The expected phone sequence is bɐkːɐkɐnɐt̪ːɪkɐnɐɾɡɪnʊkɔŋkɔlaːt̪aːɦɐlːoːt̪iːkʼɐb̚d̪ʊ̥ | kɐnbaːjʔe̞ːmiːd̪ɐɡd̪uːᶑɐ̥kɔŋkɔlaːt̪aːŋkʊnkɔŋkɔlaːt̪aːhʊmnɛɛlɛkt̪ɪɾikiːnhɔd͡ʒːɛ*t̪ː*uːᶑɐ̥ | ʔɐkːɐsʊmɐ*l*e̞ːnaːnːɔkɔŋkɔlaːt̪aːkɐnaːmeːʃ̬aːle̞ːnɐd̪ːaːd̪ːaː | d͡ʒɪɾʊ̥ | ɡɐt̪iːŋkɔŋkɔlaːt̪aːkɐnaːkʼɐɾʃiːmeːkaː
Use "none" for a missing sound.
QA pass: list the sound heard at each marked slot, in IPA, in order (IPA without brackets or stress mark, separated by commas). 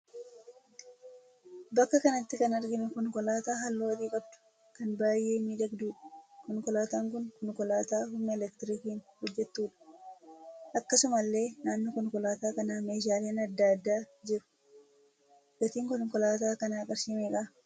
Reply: t̪ː, lː